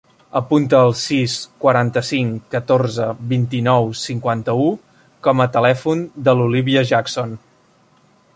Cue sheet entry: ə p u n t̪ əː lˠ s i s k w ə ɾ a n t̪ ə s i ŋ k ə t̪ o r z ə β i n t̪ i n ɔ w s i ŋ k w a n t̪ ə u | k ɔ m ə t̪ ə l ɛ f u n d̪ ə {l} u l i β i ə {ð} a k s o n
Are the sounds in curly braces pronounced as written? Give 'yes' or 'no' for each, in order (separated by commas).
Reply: yes, no